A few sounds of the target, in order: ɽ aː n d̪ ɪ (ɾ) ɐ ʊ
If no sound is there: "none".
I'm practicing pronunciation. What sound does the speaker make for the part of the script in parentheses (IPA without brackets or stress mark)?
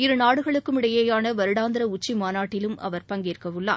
ɾ